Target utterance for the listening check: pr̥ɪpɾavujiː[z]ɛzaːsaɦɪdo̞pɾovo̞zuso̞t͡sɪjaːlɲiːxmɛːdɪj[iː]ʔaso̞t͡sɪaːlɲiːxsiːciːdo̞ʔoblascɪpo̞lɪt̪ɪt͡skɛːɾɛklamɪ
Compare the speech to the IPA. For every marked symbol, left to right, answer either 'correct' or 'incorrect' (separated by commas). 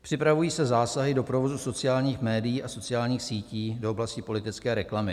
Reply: incorrect, correct